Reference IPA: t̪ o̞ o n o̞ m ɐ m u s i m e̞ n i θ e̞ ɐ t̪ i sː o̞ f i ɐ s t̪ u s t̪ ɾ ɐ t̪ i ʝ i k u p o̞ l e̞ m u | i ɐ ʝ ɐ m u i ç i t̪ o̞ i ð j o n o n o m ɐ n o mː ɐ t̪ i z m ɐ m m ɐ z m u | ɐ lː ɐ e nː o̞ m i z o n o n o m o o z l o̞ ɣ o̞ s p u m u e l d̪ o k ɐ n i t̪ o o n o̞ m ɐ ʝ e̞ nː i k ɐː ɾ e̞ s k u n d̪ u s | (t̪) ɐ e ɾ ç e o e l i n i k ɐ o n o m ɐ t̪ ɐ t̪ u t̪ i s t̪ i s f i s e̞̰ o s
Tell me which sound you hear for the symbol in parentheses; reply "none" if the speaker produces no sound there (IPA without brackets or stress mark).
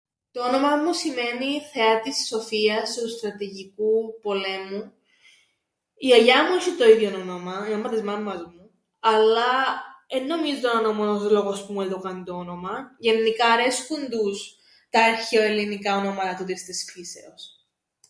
t̪